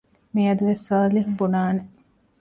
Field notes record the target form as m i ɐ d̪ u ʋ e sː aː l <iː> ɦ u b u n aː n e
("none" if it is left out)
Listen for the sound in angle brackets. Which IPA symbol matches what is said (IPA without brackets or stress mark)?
i